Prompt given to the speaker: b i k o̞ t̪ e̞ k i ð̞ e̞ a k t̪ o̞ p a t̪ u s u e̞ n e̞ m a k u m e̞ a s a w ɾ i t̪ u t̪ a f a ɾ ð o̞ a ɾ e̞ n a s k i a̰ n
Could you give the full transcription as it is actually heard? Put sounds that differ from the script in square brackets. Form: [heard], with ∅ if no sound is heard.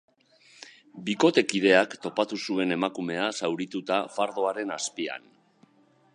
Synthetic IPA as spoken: b i k o̞ t̪ e̞ k i ð̞ e̞ a k t̪ o̞ p a t̪ u s u e̞ n e̞ m a k u m e̞ a s a w ɾ i t̪ u t̪ a f a ɾ ð o̞ a ɾ e̞ n a s [p] i a̰ n